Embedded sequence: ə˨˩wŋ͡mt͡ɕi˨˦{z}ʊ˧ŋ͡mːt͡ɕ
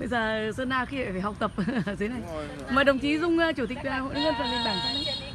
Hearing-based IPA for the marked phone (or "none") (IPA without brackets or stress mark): z